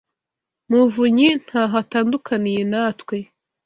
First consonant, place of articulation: labial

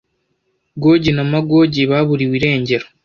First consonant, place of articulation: velar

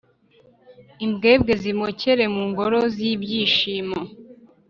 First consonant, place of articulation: labial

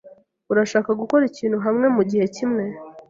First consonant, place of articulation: alveolar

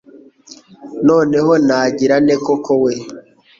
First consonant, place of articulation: alveolar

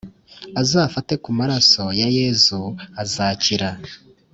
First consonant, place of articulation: alveolar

